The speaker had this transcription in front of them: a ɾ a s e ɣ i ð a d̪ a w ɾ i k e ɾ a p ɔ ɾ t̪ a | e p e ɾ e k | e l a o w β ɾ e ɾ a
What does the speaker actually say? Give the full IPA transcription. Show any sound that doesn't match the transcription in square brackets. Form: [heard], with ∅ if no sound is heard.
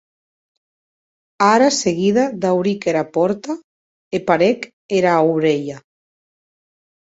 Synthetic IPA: a ɾ a s e ɣ i ð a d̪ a w ɾ i k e ɾ a p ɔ ɾ t̪ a | e p [a] ɾ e k | e [ɾ] a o w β ɾ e [ʎ] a